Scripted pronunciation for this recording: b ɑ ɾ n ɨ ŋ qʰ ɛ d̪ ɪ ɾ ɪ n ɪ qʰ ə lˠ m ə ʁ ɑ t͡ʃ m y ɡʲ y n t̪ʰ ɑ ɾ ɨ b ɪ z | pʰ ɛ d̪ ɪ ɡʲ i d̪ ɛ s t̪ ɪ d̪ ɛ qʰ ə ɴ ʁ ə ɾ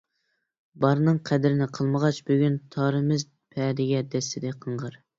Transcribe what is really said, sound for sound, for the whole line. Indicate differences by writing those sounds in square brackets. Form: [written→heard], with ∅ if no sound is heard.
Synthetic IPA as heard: b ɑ ɾ n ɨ ŋ qʰ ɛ d̪ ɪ ɾ ɪ n ɪ qʰ ə lˠ m ə ʁ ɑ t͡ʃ [m→b] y ɡʲ y n t̪ʰ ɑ ɾ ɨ [b→m] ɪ z | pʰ ɛ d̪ ɪ ɡʲ [i→ɛ] d̪ ɛ s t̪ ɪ d̪ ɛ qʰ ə ɴ ʁ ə ɾ

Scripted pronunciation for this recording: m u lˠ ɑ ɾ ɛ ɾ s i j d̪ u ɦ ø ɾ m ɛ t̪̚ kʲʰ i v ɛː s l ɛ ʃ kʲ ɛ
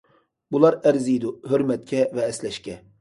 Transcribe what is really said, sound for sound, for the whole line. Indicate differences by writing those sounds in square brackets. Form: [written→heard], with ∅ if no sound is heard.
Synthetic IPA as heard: [m→b] u lˠ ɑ ɾ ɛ ɾ [s→z] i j d̪ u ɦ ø ɾ m ɛ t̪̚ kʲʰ [i→ɛ] v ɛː s l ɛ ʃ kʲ ɛ

